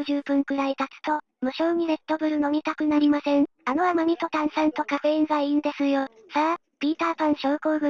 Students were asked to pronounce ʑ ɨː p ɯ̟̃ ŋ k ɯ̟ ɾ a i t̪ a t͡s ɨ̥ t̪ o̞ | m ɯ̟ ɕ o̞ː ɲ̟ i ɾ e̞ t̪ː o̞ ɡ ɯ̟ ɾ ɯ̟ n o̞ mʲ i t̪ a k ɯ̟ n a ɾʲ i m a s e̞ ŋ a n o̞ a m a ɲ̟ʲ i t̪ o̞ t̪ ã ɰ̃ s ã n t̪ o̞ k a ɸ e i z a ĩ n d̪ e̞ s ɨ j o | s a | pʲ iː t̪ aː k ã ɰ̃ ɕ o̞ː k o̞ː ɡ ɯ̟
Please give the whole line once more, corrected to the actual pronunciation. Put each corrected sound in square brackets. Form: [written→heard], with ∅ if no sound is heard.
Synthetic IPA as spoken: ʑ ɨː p ɯ̟̃ ŋ k ɯ̟ ɾ a i t̪ a t͡s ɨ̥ t̪ o̞ | m ɯ̟ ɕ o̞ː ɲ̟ i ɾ e̞ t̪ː o̞ [ɡ→b] ɯ̟ ɾ ɯ̟ n o̞ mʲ i t̪ a k ɯ̟ n a ɾʲ i m a s [e̞→ẽ̞] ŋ a n o̞ a m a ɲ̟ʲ i t̪ o̞ t̪ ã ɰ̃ s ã n t̪ o̞ k a ɸ e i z a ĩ n d̪ e̞ s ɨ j o | s a | pʲ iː t̪ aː [k→p] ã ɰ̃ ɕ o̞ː k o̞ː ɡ ɯ̟